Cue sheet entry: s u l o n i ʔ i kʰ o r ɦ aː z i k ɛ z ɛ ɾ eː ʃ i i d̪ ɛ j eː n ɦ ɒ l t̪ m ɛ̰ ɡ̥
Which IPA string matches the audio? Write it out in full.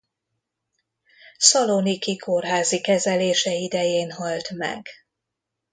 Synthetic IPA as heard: s ɒ l o n i k i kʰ o r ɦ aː z i k ɛ z ɛ l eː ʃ ɛ i d̪ ɛ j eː n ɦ ɒ l t̪ m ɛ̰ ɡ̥